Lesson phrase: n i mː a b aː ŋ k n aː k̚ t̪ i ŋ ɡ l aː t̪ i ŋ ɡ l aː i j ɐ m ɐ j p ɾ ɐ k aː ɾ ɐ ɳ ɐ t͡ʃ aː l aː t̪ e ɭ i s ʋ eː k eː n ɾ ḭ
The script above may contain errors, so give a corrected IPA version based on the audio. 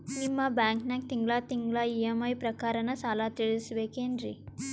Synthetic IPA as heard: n i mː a b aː ŋ k n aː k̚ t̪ i ŋ ɡ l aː t̪ i ŋ ɡ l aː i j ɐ m ɐ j p ɾ ɐ k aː ɾ ɐ n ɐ t͡ʃ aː l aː t̪ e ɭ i s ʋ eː k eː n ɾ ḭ